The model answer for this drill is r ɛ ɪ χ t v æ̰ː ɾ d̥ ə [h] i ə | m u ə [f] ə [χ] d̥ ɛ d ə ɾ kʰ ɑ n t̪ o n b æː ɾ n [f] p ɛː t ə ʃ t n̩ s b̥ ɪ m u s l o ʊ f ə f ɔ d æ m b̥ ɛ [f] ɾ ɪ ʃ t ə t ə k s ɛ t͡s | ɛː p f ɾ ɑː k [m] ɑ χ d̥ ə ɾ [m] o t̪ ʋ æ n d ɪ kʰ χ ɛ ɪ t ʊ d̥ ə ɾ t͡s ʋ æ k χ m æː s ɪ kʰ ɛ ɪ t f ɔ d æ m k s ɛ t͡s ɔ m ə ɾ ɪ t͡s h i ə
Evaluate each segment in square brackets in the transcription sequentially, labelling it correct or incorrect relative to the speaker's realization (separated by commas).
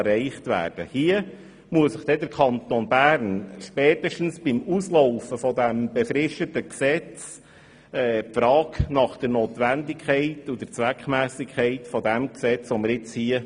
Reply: correct, incorrect, correct, incorrect, correct, incorrect, incorrect